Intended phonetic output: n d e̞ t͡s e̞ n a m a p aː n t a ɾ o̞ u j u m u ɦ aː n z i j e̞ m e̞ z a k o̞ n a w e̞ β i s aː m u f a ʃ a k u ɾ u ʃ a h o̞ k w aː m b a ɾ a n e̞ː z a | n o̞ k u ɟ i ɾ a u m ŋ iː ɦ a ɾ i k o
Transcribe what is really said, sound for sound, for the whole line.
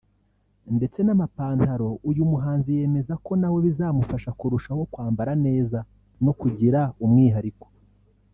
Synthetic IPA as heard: n d e̞ t͡s e̞ n a m a p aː n t a ɾ o̞ u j u m u ɦ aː n z i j e̞ m e̞ z a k o̞ n a w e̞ β i z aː m u f a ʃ a k u ɾ u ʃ a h o̞ k w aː m b a ɾ a n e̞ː z a | n o̞ k u ɟ i ɾ a u m ŋ iː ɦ a ɾ i k o